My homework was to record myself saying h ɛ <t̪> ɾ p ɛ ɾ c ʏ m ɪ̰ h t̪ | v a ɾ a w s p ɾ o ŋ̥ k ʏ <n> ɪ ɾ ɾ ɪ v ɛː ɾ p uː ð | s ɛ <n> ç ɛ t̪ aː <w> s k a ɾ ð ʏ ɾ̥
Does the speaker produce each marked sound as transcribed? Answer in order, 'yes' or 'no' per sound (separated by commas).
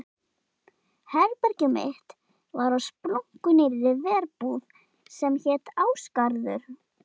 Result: no, yes, no, yes